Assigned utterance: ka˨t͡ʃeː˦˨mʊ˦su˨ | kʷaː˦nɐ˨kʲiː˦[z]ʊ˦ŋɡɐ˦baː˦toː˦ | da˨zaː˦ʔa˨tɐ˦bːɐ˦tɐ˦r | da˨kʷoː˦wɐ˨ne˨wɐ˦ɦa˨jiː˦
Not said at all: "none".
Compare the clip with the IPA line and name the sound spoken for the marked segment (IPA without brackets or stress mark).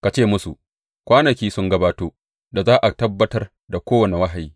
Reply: s